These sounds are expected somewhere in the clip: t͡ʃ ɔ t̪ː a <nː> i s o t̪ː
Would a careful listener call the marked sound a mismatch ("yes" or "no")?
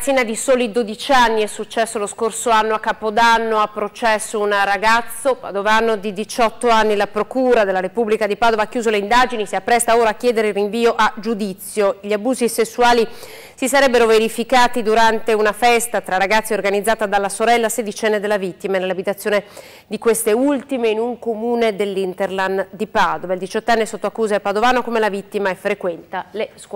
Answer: no